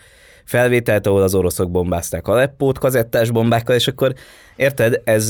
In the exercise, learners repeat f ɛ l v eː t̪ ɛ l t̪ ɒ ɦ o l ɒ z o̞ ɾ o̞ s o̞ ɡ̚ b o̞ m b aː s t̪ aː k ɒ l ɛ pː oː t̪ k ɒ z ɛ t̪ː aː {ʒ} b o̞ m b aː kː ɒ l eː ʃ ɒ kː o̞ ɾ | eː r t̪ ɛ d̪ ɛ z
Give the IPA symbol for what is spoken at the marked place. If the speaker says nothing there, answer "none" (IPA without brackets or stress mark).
ʒ